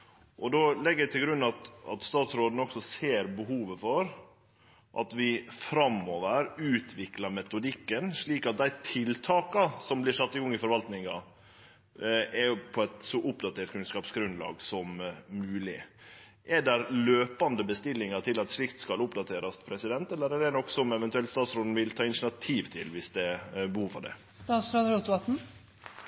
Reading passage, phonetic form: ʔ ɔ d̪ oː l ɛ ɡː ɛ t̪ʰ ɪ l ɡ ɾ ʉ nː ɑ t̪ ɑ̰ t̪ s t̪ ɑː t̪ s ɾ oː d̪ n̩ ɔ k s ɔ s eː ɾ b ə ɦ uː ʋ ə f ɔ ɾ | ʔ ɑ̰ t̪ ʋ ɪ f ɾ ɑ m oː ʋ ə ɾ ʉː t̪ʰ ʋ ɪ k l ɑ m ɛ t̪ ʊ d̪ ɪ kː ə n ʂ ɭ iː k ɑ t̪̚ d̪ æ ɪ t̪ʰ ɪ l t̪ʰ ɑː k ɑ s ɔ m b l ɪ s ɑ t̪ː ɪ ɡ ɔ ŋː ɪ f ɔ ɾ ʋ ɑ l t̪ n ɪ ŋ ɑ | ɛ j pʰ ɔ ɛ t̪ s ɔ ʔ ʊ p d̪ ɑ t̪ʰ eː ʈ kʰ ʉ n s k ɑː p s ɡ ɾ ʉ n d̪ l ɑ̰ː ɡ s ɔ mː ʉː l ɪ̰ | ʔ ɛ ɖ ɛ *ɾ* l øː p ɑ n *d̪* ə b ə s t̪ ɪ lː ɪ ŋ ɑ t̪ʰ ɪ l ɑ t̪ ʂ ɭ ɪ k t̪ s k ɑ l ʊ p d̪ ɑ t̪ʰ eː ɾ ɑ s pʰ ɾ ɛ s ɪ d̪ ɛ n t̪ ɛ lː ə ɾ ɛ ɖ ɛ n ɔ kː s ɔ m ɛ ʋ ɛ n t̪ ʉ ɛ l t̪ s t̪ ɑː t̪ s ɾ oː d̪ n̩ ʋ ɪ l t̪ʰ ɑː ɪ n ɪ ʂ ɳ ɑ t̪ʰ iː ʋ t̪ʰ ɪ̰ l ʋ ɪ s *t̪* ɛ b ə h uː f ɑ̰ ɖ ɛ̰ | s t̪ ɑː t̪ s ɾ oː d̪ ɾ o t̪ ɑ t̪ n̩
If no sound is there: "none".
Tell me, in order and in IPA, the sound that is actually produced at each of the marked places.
ɾ, d̪, d̪

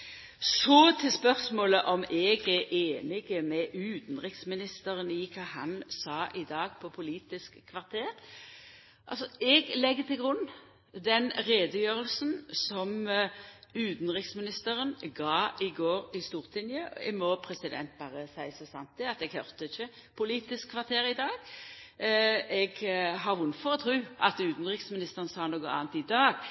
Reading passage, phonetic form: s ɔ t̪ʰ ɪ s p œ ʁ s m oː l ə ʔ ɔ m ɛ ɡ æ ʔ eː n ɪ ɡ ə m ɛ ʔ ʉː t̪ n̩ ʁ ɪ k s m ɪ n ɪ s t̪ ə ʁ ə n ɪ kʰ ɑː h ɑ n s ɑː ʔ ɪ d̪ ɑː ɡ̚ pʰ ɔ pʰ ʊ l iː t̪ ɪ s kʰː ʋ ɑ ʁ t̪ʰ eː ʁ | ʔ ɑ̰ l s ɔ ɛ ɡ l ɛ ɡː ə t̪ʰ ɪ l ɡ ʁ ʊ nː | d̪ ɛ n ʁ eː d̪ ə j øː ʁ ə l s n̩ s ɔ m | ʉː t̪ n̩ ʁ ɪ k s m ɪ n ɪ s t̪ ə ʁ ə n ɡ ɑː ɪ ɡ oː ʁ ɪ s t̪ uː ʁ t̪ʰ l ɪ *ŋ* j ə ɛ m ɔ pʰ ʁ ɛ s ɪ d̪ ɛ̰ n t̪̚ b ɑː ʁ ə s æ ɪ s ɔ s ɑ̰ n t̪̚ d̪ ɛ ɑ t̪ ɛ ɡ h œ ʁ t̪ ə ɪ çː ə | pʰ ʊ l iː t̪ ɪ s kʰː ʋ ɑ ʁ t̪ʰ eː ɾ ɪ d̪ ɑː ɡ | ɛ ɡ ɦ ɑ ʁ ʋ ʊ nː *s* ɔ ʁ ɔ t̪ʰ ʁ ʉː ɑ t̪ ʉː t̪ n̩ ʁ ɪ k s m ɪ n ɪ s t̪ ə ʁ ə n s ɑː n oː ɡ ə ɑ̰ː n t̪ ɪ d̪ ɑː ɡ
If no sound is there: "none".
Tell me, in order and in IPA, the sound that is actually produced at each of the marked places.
n, f

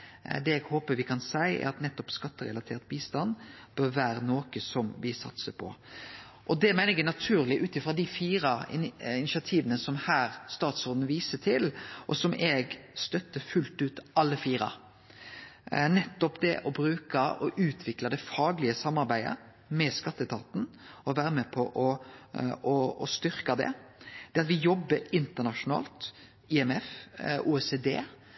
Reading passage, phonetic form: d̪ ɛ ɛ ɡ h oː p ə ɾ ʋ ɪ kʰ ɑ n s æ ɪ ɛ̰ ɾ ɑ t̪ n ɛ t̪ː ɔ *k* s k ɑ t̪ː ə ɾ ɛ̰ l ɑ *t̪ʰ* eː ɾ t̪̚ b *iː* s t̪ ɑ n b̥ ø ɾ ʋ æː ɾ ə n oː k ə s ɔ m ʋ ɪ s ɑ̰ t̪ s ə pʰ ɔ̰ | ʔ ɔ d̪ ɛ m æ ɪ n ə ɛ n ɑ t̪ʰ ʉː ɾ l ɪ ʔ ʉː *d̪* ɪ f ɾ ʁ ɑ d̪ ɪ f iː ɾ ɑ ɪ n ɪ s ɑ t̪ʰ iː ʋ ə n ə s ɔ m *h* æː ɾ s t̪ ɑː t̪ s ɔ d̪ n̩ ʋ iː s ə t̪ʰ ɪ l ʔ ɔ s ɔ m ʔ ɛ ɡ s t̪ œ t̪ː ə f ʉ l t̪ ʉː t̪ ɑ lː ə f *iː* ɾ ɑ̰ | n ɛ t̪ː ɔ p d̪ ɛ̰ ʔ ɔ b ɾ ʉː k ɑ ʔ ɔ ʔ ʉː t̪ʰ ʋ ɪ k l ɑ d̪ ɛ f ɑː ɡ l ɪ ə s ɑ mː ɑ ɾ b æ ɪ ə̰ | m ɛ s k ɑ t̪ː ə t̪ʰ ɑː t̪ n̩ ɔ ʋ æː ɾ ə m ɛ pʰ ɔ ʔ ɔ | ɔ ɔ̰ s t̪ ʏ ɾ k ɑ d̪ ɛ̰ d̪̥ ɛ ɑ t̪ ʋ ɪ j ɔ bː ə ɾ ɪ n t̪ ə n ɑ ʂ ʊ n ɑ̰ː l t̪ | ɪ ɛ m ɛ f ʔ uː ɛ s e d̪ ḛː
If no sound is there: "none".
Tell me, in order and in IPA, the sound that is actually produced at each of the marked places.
p, t̪ʰ, iː, t̪, h, iː

